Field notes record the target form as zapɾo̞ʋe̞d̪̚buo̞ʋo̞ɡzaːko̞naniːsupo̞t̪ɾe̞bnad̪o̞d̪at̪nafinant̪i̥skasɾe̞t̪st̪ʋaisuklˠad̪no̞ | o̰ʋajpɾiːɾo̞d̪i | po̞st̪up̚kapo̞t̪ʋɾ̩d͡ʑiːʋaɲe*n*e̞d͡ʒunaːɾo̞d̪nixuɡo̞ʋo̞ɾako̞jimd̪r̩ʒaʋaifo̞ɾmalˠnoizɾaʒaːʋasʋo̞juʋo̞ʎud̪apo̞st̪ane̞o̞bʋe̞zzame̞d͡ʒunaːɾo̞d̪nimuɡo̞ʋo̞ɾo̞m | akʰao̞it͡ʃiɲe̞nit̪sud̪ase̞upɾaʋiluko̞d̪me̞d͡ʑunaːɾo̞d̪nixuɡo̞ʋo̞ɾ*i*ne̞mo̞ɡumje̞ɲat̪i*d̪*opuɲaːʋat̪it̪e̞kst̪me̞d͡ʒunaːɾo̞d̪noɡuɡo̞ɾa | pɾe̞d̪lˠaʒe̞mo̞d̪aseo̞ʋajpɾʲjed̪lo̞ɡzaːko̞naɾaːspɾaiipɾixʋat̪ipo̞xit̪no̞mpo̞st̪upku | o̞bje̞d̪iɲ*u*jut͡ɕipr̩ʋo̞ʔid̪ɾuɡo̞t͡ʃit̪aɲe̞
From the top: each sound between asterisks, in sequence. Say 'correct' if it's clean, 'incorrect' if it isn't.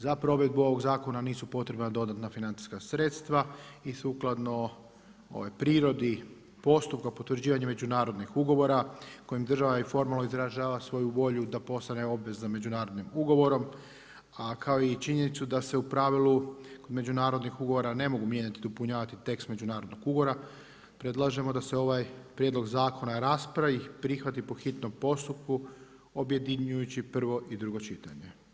incorrect, incorrect, correct, correct

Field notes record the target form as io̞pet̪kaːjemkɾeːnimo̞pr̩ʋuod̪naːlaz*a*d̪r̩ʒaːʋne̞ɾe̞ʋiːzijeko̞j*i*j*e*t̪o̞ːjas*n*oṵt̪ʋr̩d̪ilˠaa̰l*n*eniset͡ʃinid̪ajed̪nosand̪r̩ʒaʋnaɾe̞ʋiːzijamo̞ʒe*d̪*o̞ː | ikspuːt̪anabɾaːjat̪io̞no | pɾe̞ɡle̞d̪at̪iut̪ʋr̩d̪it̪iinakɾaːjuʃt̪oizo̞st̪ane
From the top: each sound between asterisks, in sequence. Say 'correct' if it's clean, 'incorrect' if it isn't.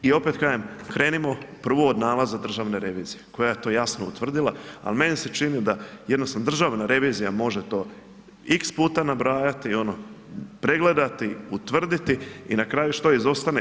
correct, incorrect, correct, correct, incorrect, incorrect

